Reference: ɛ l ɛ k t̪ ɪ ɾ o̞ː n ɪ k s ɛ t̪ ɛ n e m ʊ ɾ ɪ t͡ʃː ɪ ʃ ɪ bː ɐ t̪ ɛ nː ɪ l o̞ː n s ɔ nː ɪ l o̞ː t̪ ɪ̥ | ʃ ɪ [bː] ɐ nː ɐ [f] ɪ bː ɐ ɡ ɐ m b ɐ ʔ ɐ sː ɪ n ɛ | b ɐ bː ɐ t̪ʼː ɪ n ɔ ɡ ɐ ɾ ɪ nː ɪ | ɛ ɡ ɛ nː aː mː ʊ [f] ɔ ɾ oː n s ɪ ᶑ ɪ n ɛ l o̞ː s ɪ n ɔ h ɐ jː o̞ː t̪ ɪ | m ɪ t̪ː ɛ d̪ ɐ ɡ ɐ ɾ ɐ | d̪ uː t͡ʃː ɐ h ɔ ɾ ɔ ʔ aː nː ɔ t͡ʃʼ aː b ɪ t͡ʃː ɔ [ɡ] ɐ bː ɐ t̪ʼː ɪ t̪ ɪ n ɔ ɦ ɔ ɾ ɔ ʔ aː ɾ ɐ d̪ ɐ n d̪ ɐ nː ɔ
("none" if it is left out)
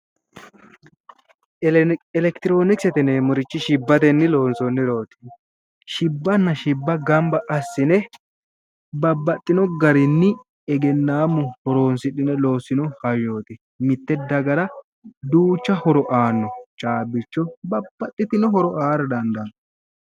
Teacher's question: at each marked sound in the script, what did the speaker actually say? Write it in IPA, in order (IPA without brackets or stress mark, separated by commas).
bː, ʃ, h, b